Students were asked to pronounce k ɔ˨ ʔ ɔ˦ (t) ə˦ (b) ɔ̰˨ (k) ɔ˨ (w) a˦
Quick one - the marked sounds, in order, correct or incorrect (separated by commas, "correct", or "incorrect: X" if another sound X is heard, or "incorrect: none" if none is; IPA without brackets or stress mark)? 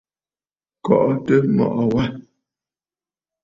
correct, incorrect: m, incorrect: ʔ, correct